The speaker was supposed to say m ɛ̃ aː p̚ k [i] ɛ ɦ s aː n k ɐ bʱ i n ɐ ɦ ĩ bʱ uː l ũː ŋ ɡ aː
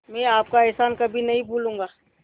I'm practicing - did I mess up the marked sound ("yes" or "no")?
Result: yes